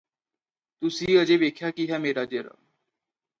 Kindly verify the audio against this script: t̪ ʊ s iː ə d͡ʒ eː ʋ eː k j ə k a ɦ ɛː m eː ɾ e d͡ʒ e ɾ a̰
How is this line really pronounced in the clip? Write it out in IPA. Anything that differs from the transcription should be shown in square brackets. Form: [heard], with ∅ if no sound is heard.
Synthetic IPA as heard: t̪ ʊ s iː ə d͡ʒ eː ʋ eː [kʰ] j [a] k [i] ɦ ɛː m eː ɾ [a] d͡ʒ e ɾ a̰